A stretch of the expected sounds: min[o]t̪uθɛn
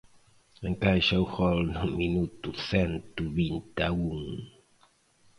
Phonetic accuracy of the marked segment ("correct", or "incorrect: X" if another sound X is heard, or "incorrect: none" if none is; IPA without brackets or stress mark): incorrect: u